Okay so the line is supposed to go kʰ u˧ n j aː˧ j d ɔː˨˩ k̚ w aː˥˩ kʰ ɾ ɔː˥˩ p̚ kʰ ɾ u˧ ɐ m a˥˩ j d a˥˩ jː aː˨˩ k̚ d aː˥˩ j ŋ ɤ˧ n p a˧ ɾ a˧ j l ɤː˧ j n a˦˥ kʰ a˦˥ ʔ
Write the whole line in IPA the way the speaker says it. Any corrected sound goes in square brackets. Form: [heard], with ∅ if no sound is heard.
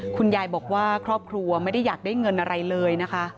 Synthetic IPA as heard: kʰ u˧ n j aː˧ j [b] ɔː˨˩ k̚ w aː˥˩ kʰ ɾ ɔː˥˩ p̚ kʰ ɾ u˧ ɐ m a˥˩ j d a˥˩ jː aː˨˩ k̚ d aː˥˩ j ŋ ɤ˧ n [ʔ] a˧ ɾ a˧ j l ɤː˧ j n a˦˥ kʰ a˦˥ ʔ